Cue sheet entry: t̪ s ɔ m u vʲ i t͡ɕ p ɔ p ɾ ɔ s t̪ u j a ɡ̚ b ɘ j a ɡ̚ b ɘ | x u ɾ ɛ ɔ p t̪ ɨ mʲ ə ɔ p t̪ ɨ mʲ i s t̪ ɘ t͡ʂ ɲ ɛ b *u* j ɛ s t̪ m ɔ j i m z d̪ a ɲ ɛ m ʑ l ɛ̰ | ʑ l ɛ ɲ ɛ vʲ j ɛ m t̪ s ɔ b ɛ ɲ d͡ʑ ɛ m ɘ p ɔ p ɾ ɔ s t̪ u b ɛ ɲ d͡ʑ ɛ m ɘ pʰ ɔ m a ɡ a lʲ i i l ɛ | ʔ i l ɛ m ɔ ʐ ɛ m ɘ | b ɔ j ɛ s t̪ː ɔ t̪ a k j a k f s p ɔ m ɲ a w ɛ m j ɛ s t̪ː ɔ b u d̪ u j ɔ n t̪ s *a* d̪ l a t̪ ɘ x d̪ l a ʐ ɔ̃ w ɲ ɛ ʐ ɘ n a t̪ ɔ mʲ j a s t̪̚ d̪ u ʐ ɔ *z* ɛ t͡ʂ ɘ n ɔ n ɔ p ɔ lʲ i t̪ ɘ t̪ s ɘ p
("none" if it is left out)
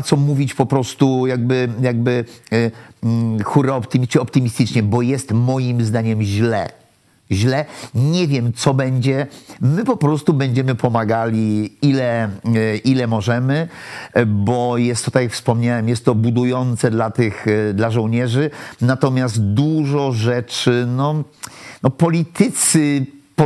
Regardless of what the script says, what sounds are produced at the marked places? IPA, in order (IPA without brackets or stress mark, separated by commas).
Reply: ɔ, ɛ, ʐ